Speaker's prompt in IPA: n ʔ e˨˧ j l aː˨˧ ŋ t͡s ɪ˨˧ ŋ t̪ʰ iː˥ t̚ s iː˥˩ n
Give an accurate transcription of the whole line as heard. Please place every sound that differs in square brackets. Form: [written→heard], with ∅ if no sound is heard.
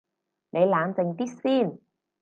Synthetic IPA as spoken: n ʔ e˨˧ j l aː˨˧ [ŋ→n] t͡s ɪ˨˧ ŋ [t̪ʰ→t̪] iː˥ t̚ s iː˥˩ n

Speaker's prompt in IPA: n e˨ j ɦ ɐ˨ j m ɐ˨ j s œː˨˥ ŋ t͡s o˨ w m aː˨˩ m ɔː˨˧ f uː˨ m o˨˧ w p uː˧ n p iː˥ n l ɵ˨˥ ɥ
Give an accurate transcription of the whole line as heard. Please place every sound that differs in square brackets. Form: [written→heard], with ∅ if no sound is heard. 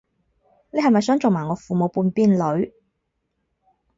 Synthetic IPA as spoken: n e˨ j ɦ ɐ˨ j m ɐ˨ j s œː˨˥ ŋ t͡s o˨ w m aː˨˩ [m→ŋ] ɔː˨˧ f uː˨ m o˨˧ w p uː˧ n p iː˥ n l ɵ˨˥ ɥ

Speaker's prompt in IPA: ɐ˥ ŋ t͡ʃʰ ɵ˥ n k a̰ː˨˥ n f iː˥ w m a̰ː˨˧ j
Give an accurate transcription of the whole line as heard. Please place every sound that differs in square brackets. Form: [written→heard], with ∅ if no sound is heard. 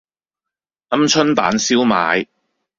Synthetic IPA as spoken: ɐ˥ [ŋ→m] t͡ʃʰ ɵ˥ n [k→p] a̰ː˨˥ n [f→s] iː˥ w m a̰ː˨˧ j

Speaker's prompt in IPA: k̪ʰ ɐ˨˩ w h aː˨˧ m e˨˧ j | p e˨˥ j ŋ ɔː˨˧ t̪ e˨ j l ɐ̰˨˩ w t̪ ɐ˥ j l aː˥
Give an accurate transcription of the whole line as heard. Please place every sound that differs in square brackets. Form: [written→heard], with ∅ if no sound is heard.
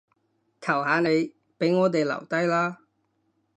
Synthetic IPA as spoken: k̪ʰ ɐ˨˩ w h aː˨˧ [m→n] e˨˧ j | p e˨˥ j ŋ ɔː˨˧ t̪ e˨ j l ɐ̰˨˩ w t̪ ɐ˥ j l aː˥

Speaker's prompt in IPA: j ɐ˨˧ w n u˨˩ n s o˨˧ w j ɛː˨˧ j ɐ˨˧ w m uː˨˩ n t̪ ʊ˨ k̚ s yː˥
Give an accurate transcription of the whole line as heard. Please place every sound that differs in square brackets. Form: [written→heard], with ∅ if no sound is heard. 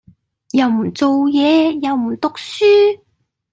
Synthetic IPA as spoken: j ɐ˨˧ w [n→m] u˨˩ n [s→t͡s] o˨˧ w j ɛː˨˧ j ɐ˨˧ w m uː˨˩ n t̪ ʊ˨ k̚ s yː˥

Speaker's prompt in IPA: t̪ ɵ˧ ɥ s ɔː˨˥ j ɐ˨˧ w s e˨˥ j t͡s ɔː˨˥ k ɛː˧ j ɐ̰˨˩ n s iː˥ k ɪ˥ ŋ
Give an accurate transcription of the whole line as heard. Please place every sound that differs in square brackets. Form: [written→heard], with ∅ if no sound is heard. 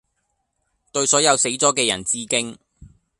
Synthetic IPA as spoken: t̪ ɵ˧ ɥ s ɔː˨˥ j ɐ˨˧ w s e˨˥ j t͡s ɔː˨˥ k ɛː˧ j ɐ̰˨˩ n [s→t͡s] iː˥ k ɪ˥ ŋ

